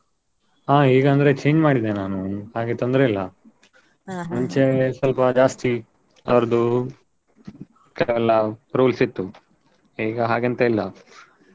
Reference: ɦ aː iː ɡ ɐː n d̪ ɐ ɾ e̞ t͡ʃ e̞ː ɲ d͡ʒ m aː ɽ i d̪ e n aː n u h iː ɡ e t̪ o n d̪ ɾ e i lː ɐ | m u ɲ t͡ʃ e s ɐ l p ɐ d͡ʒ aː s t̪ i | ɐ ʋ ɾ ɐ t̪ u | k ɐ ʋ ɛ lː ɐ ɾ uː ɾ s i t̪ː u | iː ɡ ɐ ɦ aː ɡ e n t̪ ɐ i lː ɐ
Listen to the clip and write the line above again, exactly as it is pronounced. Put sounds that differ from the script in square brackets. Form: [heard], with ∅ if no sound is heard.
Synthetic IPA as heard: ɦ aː iː ɡ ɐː n d̪ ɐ ɾ e̞ t͡ʃ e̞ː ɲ d͡ʒ m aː ɽ i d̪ e n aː n u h [aː] ɡ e t̪ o n d̪ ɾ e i lː ɐ | m u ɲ t͡ʃ e s ɐ l p ɐ d͡ʒ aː s t̪ i | ɐ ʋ ɾ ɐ [d̪] u | k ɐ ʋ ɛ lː ɐ ɾ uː [l] s i t̪ː u | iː ɡ ɐ ɦ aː ɡ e n t̪ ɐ i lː ɐ